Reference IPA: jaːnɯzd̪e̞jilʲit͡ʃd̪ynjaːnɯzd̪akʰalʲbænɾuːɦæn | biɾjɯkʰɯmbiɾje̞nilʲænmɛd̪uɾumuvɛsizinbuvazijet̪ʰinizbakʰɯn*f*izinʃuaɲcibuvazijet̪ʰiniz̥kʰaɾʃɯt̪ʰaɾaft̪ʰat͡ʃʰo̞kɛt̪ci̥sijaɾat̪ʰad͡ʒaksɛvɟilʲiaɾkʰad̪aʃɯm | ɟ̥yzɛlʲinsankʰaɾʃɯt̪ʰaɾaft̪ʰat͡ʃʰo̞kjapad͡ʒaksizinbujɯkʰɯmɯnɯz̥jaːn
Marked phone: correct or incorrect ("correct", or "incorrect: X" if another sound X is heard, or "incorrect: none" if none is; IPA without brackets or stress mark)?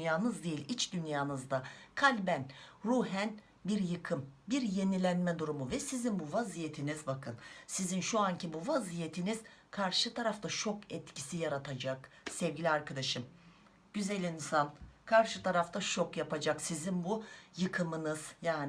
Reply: incorrect: s